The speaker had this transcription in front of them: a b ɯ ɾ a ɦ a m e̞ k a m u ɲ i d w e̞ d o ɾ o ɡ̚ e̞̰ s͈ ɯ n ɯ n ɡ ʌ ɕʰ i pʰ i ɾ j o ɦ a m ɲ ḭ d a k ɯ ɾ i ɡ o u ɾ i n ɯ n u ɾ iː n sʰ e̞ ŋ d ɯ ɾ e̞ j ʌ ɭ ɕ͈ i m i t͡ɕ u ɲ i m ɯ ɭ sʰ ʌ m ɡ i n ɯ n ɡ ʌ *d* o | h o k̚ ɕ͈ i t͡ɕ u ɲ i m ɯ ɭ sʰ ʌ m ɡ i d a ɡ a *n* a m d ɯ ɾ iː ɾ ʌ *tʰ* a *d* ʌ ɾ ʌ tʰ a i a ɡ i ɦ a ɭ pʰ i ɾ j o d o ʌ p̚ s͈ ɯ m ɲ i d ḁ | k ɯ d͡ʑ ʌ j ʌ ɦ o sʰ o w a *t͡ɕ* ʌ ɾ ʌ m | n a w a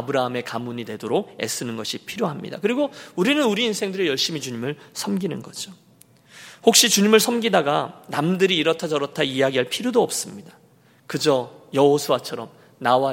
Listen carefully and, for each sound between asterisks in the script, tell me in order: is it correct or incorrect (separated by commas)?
incorrect, correct, correct, incorrect, incorrect